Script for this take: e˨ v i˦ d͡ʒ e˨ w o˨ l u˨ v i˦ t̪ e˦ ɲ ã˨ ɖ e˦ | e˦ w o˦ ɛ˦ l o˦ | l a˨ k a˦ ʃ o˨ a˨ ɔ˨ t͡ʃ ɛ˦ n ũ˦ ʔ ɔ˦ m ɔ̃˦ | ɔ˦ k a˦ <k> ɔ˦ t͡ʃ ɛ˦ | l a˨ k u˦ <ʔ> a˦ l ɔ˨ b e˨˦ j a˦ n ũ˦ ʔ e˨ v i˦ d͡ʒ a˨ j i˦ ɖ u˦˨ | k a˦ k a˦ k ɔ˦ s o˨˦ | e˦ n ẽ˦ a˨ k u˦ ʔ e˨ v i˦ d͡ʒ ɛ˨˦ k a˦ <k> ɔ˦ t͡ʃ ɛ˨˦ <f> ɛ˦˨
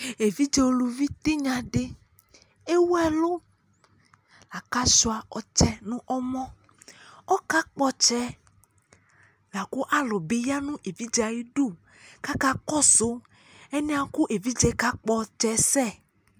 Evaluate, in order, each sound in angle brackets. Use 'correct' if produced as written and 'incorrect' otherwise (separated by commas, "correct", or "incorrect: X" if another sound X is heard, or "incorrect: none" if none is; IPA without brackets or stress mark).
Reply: incorrect: k͡p, correct, incorrect: k͡p, incorrect: s